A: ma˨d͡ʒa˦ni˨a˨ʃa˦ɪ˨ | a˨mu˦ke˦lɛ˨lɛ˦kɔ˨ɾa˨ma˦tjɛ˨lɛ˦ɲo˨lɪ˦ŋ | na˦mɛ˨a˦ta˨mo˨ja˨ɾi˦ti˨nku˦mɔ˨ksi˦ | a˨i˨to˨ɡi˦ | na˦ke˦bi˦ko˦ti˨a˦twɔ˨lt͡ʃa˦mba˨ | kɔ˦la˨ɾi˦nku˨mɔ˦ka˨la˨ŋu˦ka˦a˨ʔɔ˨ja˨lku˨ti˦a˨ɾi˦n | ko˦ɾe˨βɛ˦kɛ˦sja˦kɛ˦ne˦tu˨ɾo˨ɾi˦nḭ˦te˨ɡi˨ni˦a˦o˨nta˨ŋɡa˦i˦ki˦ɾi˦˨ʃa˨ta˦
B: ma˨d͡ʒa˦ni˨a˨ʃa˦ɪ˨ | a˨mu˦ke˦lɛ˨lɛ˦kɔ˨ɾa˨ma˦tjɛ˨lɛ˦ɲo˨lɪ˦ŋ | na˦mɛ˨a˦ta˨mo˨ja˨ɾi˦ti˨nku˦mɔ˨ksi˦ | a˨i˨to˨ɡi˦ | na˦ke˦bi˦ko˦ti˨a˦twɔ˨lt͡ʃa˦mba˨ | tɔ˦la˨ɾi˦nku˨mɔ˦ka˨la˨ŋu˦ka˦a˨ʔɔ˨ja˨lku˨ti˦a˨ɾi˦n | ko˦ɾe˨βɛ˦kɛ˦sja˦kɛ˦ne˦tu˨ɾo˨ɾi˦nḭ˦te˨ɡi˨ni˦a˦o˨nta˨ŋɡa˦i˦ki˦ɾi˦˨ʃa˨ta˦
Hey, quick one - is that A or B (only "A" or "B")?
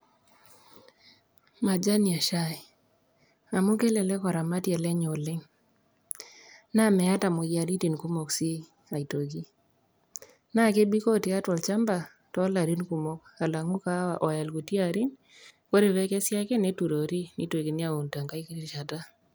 B